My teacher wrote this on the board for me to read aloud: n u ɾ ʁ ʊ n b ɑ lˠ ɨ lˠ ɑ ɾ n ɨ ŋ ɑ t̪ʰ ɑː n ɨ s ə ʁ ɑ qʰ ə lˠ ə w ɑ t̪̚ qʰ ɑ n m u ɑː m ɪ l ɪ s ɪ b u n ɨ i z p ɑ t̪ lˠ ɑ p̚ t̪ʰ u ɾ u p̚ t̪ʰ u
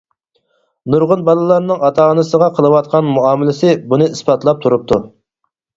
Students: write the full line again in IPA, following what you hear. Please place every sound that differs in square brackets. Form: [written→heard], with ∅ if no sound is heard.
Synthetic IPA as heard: n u ɾ ʁ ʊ n b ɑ lˠ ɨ lˠ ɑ ɾ n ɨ ŋ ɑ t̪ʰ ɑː n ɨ s ə ʁ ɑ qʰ ə lˠ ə w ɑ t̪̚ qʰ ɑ n m u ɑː m ɪ l ɪ s ɪ b u n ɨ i [z→s] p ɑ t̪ lˠ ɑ p̚ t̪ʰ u ɾ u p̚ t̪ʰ u